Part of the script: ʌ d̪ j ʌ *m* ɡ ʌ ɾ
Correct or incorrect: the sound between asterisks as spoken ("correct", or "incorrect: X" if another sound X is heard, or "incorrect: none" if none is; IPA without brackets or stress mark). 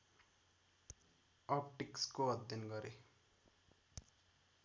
incorrect: n